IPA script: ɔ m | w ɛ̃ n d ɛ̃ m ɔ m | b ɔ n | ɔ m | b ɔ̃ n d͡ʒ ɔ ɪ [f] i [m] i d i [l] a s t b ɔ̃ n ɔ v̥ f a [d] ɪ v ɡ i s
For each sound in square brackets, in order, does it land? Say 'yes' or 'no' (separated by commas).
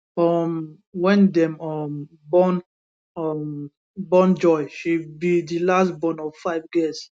no, no, yes, no